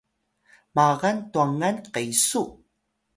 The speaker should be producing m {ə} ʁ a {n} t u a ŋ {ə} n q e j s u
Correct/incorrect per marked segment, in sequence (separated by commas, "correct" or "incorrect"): incorrect, correct, incorrect